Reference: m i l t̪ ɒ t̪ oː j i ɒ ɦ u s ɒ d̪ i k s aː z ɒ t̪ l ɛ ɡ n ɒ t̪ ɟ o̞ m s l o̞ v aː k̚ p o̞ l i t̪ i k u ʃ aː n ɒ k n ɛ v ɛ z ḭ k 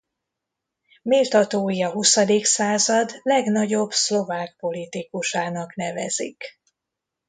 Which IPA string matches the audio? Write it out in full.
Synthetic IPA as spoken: m i l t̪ ɒ t̪ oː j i ɒ ɦ u s ɒ d̪ i k s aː z ɒ d̪ l ɛ ɡ n ɒ ɟ o̞ b s l o̞ v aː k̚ p o̞ l i t̪ i k u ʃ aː n ɒ k n ɛ v ɛ z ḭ k